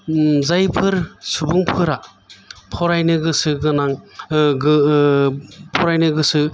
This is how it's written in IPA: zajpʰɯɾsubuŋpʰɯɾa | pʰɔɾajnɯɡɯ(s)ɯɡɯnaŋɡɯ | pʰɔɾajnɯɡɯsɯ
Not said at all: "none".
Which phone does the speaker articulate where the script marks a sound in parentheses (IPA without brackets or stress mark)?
s